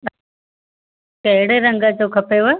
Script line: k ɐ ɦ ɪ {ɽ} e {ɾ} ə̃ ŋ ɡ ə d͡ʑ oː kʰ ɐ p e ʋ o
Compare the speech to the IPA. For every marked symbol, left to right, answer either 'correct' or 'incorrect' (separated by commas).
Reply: correct, correct